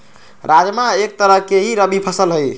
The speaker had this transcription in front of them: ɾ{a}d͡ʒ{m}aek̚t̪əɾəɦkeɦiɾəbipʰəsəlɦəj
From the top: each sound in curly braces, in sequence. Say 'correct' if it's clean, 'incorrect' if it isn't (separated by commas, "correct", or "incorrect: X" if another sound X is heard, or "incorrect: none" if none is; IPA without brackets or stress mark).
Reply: correct, correct